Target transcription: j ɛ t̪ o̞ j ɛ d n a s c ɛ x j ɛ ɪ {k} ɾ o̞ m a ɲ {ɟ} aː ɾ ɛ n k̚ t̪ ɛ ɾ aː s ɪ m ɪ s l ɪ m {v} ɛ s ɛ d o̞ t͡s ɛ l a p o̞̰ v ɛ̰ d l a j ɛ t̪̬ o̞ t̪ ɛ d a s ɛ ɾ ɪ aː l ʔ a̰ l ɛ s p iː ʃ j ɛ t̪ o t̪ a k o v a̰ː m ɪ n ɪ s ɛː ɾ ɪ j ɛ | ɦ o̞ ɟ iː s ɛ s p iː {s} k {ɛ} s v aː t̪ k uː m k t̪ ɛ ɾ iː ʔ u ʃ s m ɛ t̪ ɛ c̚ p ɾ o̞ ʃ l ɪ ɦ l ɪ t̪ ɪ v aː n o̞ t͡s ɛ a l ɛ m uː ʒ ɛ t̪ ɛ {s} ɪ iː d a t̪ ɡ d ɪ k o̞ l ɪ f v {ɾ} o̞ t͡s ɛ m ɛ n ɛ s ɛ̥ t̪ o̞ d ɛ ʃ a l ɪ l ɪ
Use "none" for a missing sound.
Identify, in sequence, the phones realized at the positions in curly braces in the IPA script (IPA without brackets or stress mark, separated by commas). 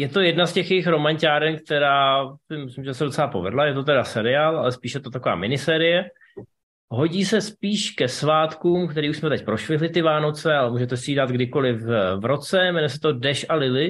x, c, ʒ, ʃ, ɛ, s, ɾ